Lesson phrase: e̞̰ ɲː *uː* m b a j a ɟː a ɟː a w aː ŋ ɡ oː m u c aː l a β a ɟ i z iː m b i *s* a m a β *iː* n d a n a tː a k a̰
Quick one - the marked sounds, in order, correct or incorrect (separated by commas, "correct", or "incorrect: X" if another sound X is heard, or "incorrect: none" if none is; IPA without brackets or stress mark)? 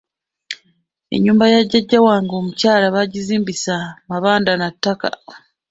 correct, correct, incorrect: aː